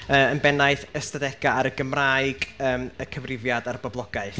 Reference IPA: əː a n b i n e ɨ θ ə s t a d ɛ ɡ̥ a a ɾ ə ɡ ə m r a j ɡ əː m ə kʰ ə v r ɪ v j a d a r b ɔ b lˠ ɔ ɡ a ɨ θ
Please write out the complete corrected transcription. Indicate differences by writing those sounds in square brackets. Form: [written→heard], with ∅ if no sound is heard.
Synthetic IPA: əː [a→ə] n b [i→ɛ] n [e→a] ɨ θ ə s t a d ɛ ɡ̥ a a ɾ ə ɡ ə m r a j ɡ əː m ə kʰ ə v r ɪ v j a d a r b ɔ b lˠ ɔ ɡ a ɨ θ